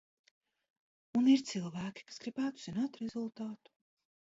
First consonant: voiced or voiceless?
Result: voiced